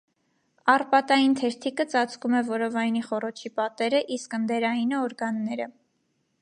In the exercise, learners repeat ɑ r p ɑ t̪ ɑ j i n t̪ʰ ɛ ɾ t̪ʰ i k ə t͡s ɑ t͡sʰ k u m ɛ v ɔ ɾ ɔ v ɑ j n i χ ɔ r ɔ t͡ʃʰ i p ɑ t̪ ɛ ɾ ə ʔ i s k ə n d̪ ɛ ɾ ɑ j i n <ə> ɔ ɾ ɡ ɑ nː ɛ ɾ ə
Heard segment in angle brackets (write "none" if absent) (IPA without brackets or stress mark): ə